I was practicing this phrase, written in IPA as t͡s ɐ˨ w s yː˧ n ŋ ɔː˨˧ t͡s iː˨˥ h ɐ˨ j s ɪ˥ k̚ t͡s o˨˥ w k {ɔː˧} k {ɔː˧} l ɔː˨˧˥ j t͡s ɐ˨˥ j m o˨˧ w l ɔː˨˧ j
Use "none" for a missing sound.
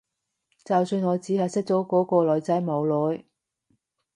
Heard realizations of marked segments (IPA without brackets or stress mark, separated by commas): ɔː˨˥, ɔː˧